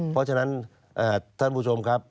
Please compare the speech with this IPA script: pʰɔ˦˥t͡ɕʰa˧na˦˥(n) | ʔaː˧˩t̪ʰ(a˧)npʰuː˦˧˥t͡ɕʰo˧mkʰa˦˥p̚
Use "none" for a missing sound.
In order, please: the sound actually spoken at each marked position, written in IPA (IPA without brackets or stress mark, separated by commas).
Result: n, a˥˩